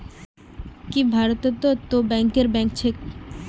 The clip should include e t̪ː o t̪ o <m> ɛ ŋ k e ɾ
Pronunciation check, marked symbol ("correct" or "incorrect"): incorrect